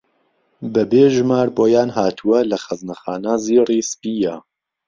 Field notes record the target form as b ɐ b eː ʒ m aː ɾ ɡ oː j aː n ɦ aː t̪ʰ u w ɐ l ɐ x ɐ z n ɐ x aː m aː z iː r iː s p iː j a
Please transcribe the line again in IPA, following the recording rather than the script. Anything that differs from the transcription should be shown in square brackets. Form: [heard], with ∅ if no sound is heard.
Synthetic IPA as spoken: b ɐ b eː ʒ m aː ɾ [b] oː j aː n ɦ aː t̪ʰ u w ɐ l ɐ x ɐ z n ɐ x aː [n] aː z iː r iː s p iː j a